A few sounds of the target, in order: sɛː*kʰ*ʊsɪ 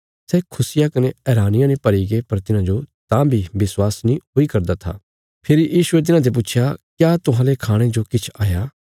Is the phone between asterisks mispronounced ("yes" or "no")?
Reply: no